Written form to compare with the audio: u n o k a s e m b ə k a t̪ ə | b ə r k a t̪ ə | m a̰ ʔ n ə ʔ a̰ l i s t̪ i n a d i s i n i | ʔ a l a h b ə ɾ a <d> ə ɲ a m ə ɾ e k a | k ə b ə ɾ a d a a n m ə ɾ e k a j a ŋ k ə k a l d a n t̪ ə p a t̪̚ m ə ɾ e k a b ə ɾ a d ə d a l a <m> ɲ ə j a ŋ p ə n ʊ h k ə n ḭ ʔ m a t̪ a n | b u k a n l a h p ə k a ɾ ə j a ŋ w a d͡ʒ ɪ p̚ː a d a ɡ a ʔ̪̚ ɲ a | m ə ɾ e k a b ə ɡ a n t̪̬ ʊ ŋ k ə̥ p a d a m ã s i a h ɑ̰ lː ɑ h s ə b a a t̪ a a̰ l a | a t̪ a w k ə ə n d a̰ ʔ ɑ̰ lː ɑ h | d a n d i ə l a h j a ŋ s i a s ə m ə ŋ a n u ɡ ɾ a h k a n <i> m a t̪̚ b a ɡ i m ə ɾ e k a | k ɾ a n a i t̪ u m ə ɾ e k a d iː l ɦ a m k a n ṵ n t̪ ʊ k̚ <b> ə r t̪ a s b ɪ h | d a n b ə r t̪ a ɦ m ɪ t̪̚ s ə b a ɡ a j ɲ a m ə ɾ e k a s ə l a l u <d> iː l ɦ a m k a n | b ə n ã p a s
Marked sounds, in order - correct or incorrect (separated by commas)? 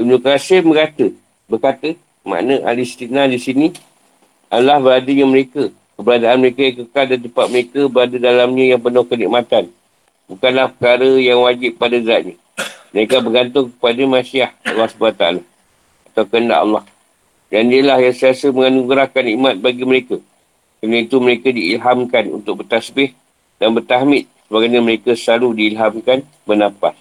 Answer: correct, correct, correct, correct, correct